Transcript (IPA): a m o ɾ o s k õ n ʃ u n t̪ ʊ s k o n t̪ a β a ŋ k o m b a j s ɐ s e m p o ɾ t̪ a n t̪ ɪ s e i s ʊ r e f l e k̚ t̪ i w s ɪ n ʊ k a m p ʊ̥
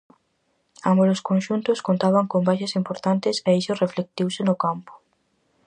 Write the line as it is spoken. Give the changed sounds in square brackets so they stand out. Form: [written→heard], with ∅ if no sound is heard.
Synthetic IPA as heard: a m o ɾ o s k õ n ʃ u n t̪ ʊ s k o n t̪ a β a ŋ k o m b a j [s→ʃ] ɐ s [e→i] m p o ɾ t̪ a n t̪ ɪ s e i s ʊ r e f l e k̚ t̪ i w s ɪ n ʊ k a m p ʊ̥